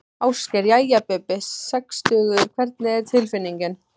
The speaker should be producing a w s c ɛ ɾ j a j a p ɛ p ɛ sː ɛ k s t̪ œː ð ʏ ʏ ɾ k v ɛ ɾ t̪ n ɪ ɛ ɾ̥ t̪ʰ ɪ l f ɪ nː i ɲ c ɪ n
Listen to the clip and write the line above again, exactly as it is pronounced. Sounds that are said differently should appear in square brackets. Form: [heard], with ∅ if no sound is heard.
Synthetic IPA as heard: a w s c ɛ ɾ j a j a p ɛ p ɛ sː ɛ k s t̪ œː [ɣ] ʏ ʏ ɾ [kʰ] v ɛ ɾ t̪ n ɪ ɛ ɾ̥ t̪ʰ ɪ l f ɪ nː i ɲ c ɪ n